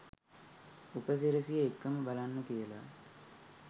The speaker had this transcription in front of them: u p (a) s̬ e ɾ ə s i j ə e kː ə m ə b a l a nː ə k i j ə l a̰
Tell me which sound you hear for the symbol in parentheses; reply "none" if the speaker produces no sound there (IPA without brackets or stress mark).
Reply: ə